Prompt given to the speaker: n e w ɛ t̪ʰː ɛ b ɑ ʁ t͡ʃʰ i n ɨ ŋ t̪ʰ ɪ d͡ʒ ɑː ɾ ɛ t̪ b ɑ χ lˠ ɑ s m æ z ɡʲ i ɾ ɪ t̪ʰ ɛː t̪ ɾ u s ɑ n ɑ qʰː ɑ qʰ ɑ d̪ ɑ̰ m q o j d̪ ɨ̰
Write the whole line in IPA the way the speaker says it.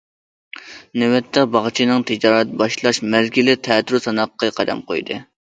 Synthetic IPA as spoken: n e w ɛ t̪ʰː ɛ b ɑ ʁ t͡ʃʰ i n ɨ ŋ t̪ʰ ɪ d͡ʒ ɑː ɾ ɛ t̪ b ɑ ʃ lˠ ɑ ʃ m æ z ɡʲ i l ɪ t̪ʰ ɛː t̪ ɾ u s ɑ n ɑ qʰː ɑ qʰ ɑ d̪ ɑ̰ m q o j d̪ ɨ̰